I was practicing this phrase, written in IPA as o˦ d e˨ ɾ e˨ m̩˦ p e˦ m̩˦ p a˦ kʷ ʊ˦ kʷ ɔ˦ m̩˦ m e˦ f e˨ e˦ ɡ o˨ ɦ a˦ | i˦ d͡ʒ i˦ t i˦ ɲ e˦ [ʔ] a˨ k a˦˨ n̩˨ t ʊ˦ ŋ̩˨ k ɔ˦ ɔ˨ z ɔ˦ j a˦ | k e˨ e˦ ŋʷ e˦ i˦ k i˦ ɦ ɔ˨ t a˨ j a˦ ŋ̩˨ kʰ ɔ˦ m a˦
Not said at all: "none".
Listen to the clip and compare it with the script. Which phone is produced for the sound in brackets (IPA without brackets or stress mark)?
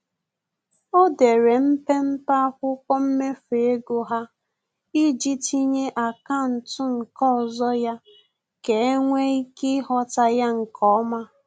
ʔ